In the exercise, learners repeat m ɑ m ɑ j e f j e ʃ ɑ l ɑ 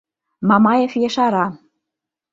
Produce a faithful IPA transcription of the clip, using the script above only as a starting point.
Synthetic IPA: m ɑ m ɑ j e f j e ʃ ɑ ɾ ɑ